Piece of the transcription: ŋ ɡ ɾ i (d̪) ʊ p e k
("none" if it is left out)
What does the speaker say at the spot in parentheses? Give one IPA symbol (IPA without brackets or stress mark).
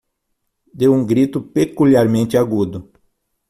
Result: t̪